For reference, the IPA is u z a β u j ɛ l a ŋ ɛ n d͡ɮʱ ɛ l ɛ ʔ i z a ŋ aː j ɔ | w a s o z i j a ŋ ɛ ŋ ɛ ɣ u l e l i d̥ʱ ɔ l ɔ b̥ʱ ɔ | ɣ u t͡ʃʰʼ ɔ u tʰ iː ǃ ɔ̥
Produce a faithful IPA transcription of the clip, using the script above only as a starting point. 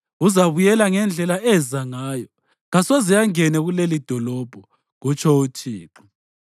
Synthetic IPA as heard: u z a β u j ɛ l a ŋ ɛ n d͡ɮʱ ɛ l a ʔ ɛ z a ŋ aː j ɔ | ɣ a s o z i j a ŋ ɛ n ɛ ɣ u l e l i d̥ʱ ɔ l ɔ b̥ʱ ɔ | ɣ u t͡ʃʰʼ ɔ u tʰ iː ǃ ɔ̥